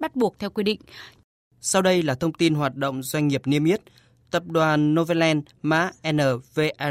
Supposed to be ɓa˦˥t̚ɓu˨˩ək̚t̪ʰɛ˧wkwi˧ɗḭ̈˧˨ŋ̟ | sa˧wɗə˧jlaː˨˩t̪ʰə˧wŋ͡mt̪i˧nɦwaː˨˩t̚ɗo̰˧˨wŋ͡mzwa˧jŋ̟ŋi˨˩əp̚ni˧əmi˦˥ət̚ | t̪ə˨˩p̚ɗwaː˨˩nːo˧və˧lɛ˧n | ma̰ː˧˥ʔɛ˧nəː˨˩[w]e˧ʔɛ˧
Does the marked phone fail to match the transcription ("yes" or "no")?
yes